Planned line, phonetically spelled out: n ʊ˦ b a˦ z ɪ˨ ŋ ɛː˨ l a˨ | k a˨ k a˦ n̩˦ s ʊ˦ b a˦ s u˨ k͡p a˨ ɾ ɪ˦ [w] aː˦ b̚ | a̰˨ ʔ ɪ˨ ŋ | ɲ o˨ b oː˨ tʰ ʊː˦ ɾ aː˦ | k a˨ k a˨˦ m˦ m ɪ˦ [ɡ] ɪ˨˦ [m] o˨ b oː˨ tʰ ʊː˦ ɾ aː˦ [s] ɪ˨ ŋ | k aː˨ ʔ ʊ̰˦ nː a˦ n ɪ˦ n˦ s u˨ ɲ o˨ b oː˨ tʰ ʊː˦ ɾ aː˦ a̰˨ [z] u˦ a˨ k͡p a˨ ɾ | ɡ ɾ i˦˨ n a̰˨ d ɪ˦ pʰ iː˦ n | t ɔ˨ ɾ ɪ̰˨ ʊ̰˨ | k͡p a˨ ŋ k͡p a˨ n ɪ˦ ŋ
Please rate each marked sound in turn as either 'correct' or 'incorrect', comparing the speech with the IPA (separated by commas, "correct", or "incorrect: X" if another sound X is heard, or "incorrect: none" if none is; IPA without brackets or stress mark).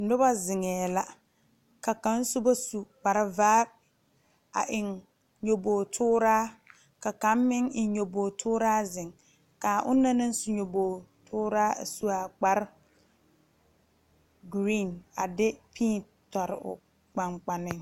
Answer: incorrect: v, incorrect: ŋ, incorrect: ɲ, incorrect: z, incorrect: s